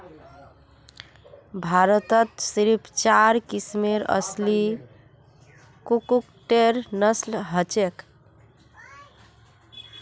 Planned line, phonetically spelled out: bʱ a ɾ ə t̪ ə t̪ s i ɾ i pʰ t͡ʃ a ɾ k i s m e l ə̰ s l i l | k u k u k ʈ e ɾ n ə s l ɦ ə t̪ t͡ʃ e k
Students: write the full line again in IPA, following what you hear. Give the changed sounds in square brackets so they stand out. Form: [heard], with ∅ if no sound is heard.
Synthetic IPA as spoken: bʱ a ɾ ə t̪ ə t̪ s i ɾ i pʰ t͡ʃ a ɾ k i s m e [ɾ] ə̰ s l i [∅] | k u k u k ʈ e ɾ n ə s l ɦ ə [∅] t͡ʃ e k